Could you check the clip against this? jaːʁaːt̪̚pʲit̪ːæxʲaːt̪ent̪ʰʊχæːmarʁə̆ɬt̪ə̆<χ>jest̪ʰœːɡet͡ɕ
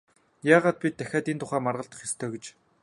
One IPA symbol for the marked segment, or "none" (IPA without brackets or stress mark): χ